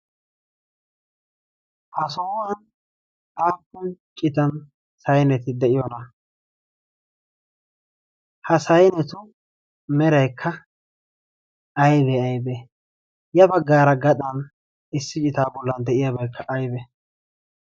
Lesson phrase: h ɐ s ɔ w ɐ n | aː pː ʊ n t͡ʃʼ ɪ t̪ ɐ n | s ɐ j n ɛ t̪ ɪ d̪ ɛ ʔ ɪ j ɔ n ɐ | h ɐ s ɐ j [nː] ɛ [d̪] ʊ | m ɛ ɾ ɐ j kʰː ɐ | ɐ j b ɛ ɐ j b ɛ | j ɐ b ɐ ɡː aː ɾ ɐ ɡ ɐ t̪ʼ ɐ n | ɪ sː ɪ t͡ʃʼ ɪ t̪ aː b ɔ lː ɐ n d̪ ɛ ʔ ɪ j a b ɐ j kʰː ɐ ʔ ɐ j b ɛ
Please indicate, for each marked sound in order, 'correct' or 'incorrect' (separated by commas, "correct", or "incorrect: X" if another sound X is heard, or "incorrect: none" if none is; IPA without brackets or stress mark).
incorrect: n, incorrect: t̪